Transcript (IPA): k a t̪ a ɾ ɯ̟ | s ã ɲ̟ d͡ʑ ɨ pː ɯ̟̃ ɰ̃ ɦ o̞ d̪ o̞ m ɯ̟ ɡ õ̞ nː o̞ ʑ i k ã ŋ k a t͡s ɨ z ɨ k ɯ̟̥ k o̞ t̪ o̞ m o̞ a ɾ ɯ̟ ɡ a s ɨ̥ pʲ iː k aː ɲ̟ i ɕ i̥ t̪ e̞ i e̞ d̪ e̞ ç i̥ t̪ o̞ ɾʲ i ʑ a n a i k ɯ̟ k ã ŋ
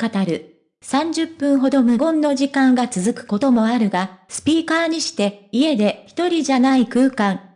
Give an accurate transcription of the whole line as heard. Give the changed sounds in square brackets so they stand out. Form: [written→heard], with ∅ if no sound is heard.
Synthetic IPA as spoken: k a t̪ a ɾ ɯ̟ | s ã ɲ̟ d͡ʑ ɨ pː ɯ̟̃ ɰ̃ ɦ o̞ d̪ o̞ m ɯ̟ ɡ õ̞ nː o̞ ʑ i k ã ŋ [k→ɡ] a t͡s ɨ z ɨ k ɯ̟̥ k o̞ t̪ o̞ m o̞ a ɾ ɯ̟ ɡ a s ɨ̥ pʲ iː k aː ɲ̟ i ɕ i̥ t̪ e̞ i e̞ d̪ e̞ ç i̥ t̪ o̞ ɾʲ i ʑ a n a i k [ɯ̟→ɯ̟ː] k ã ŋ